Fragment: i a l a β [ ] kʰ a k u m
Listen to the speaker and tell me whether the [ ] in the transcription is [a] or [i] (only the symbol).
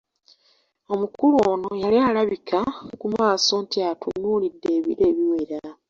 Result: i